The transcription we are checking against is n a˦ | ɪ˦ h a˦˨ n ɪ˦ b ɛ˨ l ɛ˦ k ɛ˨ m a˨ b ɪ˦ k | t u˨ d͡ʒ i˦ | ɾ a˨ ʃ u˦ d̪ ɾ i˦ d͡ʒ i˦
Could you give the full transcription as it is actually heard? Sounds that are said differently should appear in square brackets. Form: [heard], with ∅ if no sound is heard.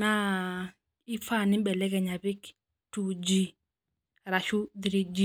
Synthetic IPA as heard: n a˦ | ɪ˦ [f] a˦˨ n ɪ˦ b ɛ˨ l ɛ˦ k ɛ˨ [ɲ] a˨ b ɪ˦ k | t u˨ d͡ʒ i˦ | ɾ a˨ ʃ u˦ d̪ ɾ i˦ d͡ʒ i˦